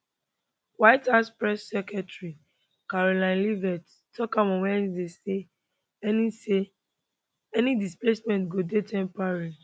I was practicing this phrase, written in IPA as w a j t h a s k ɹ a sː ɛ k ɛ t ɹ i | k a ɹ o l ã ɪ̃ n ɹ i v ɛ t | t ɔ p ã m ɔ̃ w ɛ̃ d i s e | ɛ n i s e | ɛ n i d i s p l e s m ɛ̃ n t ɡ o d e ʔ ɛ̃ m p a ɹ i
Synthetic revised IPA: w a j t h a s p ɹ ɛ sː ɛ k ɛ t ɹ i | k a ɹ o l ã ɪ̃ n l i v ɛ t | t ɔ k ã m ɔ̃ w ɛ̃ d e s e | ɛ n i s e | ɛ n i d i s p l e s m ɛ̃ n t ɡ o d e t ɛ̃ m p a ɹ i